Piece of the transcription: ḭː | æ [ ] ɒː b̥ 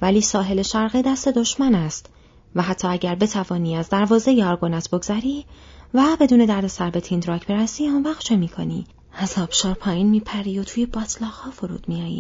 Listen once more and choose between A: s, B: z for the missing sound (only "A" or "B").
B